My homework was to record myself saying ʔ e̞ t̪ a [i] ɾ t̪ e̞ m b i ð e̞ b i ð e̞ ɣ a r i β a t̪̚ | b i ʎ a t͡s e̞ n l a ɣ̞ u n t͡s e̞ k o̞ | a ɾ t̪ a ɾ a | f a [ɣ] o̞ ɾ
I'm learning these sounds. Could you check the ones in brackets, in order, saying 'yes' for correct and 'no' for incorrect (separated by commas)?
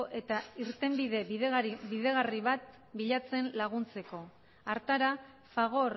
yes, yes